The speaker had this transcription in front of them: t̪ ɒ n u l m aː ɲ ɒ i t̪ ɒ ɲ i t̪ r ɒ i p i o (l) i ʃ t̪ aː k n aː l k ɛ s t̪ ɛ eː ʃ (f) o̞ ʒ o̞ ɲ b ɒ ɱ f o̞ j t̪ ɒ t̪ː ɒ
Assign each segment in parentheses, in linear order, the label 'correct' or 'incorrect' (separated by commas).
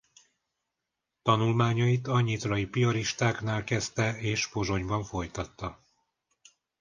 incorrect, correct